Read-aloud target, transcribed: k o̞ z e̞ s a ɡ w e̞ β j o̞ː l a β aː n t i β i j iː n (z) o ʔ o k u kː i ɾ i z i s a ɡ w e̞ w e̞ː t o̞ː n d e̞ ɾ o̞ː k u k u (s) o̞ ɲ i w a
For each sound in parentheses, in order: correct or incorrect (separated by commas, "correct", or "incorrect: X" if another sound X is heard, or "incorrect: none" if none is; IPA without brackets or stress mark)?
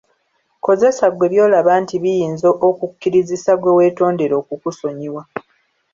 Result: correct, correct